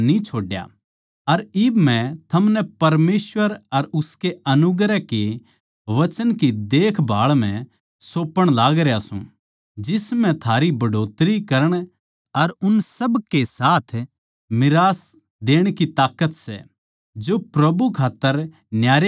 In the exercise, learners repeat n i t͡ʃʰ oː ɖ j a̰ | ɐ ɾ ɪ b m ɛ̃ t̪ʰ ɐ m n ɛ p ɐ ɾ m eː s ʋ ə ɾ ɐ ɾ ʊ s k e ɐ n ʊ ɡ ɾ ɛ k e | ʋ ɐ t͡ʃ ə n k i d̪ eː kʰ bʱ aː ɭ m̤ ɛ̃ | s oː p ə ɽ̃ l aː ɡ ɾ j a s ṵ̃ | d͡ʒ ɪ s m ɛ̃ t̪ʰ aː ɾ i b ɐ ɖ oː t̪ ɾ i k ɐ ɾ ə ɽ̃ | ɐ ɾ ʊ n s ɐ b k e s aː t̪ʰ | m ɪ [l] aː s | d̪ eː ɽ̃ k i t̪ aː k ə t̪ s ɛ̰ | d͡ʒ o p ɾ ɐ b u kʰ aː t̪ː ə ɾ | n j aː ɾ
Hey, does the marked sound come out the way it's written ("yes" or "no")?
no